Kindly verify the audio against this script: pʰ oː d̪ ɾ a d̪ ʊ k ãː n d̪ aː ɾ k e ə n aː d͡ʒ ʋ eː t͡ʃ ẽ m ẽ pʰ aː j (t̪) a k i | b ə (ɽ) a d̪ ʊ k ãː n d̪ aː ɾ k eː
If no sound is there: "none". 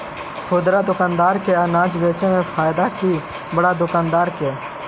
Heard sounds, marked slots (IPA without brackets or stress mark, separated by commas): d̪, ɽ